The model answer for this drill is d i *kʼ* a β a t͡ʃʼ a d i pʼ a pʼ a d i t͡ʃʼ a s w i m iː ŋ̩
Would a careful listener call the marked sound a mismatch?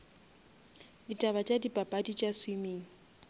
yes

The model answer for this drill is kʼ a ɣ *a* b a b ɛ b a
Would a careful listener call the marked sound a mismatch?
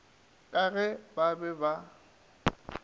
yes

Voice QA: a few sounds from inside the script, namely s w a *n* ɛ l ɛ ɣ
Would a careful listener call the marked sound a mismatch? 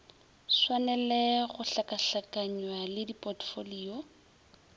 no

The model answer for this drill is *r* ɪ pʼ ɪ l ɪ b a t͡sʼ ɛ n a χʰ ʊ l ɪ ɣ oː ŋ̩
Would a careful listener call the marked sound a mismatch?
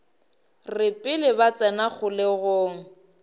no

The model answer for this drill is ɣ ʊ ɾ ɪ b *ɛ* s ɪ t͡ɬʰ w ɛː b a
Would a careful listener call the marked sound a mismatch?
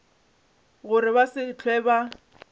yes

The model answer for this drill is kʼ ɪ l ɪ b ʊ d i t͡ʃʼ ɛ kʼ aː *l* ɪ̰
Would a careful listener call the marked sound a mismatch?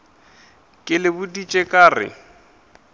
yes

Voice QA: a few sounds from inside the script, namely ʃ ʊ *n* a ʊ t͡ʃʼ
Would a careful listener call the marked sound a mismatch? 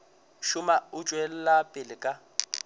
yes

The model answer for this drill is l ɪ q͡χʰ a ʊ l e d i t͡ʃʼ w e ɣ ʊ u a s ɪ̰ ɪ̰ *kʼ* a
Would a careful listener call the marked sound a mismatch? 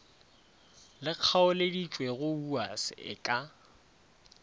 no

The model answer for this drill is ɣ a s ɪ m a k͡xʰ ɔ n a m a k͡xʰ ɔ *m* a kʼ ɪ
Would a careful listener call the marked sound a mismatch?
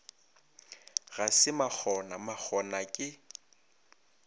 yes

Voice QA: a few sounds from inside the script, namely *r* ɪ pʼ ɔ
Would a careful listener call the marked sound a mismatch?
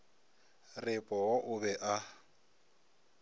no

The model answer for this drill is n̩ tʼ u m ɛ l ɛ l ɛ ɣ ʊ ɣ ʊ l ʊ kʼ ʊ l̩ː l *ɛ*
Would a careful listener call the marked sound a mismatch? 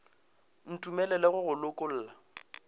yes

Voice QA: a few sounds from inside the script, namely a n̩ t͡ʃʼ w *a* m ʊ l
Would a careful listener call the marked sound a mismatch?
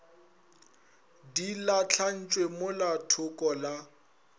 yes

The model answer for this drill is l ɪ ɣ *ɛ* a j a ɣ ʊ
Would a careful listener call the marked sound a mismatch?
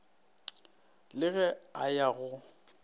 no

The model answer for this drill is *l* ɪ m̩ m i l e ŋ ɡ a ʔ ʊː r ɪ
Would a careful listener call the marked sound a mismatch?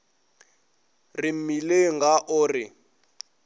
yes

